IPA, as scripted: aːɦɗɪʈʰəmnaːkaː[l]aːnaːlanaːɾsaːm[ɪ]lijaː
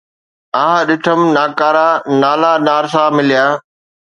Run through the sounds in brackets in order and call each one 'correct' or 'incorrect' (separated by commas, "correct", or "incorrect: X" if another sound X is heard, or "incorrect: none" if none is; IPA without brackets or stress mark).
incorrect: ɾ, correct